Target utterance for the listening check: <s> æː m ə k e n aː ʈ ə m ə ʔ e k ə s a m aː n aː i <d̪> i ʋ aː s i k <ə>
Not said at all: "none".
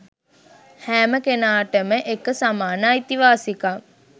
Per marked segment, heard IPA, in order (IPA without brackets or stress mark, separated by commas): h, t̪, a